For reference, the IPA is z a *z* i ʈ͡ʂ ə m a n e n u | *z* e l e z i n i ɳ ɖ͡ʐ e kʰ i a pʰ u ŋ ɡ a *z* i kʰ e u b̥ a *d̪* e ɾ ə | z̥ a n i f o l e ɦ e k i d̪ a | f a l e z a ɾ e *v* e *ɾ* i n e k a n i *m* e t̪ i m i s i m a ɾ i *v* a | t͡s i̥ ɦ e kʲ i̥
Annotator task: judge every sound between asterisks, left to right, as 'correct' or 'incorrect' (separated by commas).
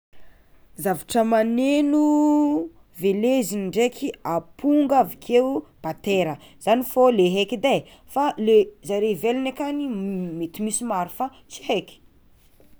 incorrect, incorrect, incorrect, incorrect, correct, incorrect, correct, incorrect